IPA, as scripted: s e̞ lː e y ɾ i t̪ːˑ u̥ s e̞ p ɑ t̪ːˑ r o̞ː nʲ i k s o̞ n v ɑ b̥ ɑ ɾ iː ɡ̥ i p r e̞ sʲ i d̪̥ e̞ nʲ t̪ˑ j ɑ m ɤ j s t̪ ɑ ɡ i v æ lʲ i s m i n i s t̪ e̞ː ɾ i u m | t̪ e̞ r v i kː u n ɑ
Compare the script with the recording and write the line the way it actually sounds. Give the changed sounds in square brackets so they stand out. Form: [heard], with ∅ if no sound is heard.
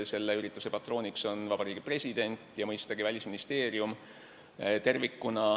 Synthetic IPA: s e̞ lː e y ɾ i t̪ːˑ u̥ s e̞ p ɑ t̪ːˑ r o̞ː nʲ i k s o̞ n v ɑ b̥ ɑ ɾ iː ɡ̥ i p r e̞ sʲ i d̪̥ e̞ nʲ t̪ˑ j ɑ m ɤ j s t̪ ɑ ɡ i v æ lʲ i s m i n i s t̪ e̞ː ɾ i u m | t̪ e̞ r v i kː u n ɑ